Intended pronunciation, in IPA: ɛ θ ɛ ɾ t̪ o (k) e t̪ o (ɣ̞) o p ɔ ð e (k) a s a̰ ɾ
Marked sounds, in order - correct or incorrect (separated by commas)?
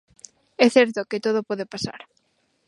correct, incorrect, incorrect